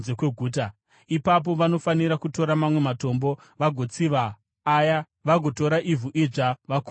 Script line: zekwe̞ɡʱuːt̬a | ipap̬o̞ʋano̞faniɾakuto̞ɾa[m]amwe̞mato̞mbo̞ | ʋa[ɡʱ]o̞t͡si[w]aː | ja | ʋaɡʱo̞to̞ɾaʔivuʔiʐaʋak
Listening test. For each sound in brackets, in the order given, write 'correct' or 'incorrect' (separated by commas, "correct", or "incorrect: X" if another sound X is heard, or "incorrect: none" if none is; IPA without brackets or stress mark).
correct, correct, incorrect: ʋ